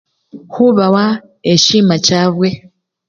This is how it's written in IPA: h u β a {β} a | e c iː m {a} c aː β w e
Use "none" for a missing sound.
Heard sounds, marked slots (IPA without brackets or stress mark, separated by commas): w, a